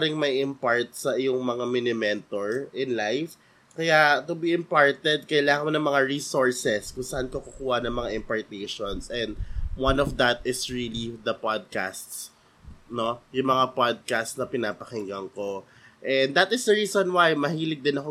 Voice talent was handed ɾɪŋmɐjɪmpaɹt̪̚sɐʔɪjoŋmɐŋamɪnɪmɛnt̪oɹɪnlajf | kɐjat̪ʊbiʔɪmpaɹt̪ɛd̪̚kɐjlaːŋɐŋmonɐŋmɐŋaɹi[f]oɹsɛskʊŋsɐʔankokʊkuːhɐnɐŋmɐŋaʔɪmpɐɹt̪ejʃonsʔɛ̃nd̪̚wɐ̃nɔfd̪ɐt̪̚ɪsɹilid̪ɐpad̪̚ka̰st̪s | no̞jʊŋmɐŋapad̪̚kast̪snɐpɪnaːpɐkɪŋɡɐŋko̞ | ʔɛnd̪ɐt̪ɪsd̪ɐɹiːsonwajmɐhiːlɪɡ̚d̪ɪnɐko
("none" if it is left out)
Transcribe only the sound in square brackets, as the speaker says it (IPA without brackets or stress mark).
s